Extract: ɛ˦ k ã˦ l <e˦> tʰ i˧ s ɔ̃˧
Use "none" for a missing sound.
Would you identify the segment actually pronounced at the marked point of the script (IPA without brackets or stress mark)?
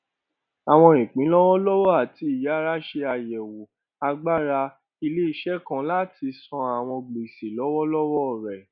a˦